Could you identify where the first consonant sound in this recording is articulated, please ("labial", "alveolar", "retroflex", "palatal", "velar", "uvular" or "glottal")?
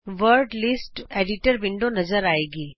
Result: labial